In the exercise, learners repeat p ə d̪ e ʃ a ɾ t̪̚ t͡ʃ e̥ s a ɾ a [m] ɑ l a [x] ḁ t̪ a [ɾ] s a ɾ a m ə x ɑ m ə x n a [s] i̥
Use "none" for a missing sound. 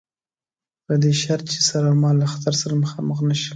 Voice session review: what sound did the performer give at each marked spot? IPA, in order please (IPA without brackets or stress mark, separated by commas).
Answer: m, x, ɾ, ʃ